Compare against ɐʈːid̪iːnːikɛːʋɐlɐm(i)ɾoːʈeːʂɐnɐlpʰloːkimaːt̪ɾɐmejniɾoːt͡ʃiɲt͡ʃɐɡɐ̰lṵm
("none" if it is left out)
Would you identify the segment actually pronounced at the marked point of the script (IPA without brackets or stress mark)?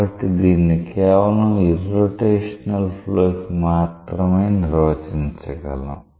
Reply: i